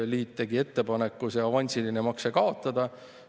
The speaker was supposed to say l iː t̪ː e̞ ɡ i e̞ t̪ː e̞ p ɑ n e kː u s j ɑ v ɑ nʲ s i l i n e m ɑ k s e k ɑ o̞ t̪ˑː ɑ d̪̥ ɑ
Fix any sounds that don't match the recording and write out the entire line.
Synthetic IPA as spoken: l iː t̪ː e̞ ɡ i e̞ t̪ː e̞ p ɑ n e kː u s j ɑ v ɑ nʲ s i l i n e m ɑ k s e k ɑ o̞ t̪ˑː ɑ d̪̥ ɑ